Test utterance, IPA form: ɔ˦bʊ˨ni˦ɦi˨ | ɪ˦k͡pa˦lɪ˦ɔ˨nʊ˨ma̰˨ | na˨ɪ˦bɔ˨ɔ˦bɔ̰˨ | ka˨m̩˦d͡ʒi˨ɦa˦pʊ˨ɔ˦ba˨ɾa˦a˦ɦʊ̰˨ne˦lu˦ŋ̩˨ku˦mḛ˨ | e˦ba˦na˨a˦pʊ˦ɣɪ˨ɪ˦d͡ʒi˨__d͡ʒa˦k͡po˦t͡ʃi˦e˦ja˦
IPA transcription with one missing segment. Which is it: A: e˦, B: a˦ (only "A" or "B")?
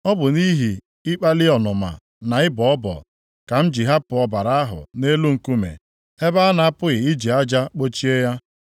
B